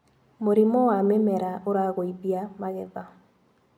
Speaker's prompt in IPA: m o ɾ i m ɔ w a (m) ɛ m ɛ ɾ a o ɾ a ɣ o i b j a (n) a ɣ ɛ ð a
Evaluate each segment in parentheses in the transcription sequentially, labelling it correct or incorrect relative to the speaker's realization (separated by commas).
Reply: correct, incorrect